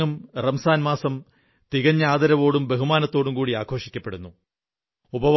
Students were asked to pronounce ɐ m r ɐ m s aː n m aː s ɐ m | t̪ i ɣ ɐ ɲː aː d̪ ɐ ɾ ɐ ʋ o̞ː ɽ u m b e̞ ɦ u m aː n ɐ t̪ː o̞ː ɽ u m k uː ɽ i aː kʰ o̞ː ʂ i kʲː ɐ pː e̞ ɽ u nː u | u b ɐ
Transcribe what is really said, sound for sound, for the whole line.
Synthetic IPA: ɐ m r ɐ m s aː n m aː s ɐ m | t̪ i ɣ ɐ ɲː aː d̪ ɐ ɾ ɐ ʋ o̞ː ɽ u m b e̞ ɦ u m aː n ɐ t̪ː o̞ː ɽ u m k uː ɽ i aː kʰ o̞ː ʂ i kʲː ɐ pː e̞ ɽ u nː u | u b ɐ